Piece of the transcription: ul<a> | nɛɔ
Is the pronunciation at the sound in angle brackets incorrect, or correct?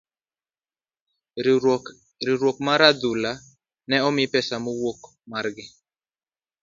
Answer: correct